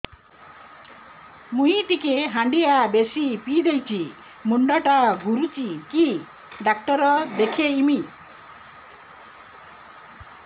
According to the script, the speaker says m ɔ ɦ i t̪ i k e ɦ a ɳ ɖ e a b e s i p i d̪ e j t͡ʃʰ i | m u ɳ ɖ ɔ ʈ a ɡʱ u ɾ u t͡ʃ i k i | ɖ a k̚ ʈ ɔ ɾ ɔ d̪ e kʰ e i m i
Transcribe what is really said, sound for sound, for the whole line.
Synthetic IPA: m u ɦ i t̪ i k e ɦ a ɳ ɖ i a b e s i p i d̪ e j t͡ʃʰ i | m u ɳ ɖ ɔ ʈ a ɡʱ u ɾ u t͡ʃ i k i | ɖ a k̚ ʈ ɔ ɾ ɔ d̪ e kʰ e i m i